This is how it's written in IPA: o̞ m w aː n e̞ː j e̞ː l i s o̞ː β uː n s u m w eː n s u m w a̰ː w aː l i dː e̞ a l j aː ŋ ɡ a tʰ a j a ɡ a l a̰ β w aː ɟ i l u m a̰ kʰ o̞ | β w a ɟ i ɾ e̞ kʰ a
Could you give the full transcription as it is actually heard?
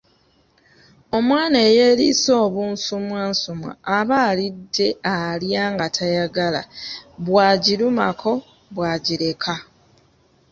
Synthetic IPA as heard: o̞ m w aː n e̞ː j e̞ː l i s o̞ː β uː n s u m w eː n s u m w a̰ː β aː l i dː e̞ a l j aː ŋ ɡ a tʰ a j a ɡ a l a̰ β w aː ɟ i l u m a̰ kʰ o̞ | β w a ɟ i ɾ e̞ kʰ a